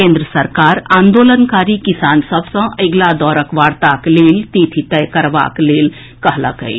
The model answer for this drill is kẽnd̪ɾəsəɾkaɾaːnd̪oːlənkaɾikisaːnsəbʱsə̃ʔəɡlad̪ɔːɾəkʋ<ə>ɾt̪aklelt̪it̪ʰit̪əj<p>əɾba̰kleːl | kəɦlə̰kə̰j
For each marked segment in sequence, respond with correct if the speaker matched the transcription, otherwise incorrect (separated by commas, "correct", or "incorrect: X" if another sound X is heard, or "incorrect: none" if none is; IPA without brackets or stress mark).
incorrect: a, incorrect: k